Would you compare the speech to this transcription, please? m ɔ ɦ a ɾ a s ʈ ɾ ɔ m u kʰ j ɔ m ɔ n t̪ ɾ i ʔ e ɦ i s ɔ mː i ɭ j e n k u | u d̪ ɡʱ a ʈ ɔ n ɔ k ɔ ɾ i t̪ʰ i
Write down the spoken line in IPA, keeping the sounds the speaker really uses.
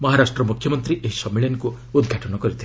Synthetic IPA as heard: m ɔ ɦ a ɾ a s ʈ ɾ ɔ m u kʰ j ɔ m ɔ n t̪ ɾ i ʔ e ɦ i s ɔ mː i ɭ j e n k u | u d̪ ɡʱ a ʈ ɔ n ɔ k ɔ ɾ i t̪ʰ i